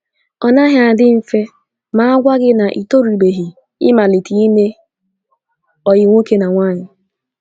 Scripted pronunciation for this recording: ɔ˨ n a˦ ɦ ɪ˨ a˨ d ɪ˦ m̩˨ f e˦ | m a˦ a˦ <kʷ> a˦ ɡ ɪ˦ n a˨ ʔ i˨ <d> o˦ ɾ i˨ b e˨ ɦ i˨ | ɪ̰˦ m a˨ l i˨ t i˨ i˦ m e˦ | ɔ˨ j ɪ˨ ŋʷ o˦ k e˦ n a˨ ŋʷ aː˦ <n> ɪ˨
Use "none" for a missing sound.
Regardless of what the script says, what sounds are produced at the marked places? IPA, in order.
ɡʷ, t, ɲ

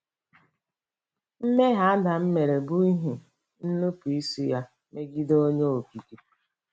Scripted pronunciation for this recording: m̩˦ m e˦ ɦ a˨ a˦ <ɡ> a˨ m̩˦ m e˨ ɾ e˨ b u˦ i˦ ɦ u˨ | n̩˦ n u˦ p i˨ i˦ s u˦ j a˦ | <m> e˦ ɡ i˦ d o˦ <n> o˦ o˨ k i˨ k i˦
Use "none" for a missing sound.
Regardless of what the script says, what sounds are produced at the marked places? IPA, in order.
d, m, ɲ

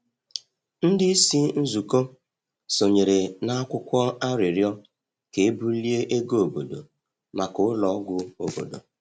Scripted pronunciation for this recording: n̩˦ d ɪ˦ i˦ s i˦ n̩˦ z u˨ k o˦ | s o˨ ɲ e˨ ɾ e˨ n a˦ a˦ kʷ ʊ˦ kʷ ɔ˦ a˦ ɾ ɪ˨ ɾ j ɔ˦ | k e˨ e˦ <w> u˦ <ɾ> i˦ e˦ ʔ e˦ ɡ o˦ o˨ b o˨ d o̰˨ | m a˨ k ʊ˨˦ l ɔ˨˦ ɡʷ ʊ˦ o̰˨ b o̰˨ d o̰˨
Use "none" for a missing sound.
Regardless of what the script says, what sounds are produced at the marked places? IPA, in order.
b, l

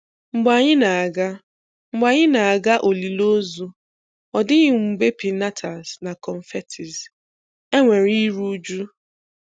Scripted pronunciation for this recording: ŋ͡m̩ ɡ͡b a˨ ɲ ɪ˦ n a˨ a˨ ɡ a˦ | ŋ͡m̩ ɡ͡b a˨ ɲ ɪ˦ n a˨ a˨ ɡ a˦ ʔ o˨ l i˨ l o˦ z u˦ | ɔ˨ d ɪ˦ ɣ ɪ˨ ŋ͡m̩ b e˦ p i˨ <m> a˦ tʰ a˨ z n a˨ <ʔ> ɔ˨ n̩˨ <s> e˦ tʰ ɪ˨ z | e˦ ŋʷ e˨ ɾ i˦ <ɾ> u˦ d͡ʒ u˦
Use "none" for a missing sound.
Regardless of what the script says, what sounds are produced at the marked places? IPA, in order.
n, k, f, ɾ

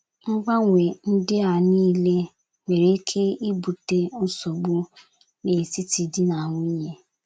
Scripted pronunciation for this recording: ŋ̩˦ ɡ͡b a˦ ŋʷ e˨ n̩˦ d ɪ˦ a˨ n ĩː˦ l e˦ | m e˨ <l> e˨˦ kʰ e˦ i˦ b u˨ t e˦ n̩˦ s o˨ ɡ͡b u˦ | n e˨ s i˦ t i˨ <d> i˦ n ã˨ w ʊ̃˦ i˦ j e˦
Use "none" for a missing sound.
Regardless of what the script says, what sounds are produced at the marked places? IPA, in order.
ɾ, d

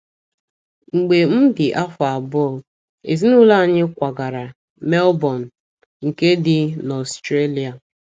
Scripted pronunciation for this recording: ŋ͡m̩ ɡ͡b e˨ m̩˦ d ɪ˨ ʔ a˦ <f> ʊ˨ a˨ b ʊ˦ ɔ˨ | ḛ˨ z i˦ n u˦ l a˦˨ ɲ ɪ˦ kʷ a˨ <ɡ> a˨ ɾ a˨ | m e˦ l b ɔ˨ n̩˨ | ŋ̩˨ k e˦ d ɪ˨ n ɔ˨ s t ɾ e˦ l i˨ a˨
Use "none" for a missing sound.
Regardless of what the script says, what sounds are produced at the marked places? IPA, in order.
f, ɡ

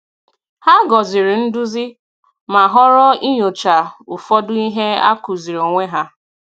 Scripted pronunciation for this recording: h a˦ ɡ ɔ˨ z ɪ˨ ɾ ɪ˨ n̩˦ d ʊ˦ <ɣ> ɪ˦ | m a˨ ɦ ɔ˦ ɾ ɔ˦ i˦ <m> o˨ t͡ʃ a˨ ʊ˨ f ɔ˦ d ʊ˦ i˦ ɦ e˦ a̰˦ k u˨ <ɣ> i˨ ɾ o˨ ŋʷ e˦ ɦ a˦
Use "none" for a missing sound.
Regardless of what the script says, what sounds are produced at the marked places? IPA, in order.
z, ɲ, z

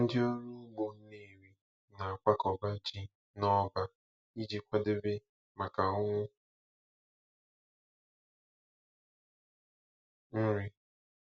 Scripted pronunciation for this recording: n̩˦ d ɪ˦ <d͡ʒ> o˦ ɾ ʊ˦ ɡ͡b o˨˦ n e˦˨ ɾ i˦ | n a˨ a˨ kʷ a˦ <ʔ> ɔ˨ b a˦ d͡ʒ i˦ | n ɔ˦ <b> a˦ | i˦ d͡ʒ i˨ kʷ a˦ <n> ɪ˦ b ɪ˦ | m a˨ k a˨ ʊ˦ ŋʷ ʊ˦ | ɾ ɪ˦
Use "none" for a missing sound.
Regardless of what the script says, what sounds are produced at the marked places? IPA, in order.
none, k, b, d

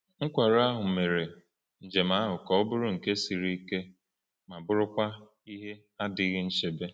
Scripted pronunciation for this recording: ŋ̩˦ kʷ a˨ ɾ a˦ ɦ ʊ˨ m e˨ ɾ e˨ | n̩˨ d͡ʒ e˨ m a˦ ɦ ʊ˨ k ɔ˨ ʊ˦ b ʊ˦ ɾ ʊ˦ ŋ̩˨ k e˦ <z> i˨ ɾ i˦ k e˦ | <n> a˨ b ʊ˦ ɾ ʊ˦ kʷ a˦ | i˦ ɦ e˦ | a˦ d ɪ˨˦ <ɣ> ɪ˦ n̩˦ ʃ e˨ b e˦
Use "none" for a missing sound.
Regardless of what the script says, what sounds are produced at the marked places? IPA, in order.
s, m, ɣ

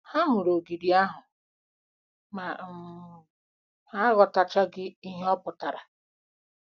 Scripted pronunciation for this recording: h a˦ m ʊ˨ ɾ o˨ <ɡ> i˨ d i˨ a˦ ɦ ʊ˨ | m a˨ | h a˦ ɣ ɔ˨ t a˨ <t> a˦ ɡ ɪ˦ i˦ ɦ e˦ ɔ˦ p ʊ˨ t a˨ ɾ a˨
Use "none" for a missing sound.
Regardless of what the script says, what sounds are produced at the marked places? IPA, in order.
ɡ, t͡ʃ

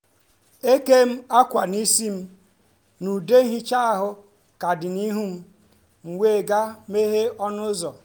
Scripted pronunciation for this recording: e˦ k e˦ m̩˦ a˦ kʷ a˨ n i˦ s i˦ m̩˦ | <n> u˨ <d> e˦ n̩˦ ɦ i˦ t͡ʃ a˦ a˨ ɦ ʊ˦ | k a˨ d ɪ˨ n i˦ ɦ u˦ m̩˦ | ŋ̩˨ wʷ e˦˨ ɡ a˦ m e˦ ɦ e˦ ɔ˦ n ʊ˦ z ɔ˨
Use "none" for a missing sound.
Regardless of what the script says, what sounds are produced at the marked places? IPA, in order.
n, d

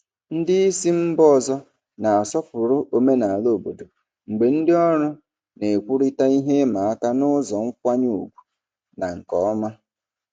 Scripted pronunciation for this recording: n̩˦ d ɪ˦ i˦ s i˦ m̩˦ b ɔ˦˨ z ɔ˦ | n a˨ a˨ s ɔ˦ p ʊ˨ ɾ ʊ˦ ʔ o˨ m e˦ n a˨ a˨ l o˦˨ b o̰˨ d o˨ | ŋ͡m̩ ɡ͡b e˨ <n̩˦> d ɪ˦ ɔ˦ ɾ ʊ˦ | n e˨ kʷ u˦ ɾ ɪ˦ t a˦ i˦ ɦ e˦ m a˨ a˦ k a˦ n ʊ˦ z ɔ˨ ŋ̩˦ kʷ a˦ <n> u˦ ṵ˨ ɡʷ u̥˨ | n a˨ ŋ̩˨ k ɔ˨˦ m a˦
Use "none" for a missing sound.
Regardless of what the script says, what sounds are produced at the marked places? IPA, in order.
n̩˦, ɲ

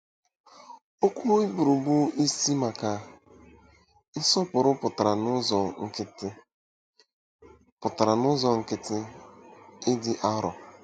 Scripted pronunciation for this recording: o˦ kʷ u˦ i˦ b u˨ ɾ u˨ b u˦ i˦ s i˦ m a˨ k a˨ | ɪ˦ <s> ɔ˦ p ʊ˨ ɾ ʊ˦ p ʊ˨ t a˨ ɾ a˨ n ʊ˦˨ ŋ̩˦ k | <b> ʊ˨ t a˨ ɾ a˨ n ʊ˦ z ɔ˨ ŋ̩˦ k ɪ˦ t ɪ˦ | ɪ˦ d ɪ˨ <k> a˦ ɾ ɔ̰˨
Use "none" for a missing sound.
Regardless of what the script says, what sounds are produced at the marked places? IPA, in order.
s, p, ʔ

